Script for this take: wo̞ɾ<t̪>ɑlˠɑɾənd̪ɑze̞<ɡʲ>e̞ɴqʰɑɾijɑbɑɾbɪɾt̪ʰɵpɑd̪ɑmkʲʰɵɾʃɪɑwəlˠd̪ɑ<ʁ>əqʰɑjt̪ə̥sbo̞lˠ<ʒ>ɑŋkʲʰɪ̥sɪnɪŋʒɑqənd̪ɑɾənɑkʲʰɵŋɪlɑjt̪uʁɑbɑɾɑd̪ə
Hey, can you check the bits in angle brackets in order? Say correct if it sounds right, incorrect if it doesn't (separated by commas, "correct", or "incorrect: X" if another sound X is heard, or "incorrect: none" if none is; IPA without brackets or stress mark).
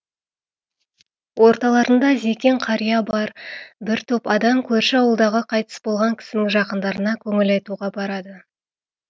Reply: correct, incorrect: kʲ, correct, incorrect: ʁ